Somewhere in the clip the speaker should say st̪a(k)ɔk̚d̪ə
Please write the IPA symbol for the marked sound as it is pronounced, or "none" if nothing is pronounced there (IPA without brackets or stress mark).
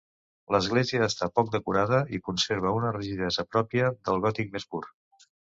p